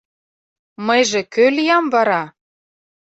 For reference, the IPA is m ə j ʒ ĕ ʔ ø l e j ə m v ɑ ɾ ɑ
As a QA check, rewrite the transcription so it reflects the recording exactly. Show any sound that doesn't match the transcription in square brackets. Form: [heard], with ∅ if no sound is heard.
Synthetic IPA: m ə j ʒ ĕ [k] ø l [i] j [ɑ] m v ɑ ɾ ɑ